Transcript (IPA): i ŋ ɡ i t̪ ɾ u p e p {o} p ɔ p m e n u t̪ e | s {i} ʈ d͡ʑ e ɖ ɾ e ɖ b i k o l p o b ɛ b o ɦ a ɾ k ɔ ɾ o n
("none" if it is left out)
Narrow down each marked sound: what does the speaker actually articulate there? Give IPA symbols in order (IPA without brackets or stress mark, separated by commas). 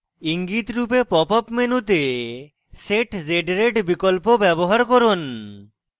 ɔ, e